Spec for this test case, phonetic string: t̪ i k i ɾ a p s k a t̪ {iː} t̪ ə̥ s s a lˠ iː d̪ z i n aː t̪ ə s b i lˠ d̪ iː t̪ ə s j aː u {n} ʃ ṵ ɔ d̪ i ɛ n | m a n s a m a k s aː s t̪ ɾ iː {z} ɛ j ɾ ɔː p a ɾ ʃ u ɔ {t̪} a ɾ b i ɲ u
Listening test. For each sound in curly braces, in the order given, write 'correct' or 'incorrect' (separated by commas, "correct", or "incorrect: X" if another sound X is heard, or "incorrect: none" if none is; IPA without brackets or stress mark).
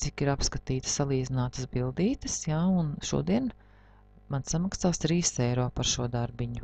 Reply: correct, correct, incorrect: s, incorrect: d̪